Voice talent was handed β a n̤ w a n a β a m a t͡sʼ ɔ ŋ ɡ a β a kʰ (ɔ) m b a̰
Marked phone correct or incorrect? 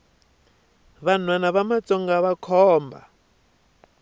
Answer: incorrect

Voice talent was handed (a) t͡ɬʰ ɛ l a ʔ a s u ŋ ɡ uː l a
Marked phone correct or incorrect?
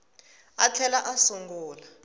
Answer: correct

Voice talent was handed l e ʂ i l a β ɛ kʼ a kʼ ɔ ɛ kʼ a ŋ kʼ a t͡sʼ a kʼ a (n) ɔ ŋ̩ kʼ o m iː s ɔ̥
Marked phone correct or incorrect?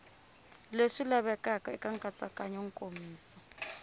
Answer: incorrect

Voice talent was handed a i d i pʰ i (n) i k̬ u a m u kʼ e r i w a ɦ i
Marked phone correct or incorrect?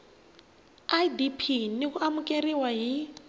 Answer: correct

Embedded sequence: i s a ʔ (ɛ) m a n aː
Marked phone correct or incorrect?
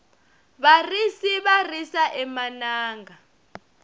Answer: correct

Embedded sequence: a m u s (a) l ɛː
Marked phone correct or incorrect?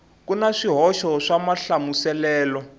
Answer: incorrect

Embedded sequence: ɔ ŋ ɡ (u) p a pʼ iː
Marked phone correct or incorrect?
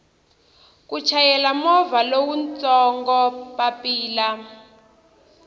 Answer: incorrect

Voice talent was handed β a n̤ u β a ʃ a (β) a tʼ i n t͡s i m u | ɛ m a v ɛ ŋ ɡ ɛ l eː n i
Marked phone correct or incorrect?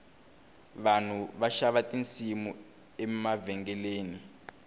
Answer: correct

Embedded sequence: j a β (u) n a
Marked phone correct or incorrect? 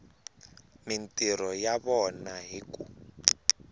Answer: incorrect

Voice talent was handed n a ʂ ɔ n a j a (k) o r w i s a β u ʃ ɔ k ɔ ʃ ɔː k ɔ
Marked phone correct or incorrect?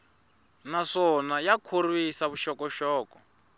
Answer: incorrect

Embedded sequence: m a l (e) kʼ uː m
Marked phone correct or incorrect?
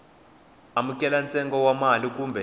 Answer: incorrect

